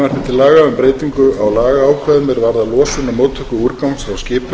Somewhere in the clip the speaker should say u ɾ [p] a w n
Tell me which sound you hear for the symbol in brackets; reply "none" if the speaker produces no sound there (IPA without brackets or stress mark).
k